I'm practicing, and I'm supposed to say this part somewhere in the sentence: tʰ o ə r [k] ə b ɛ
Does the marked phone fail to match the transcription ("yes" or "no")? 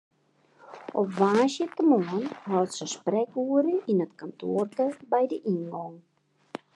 yes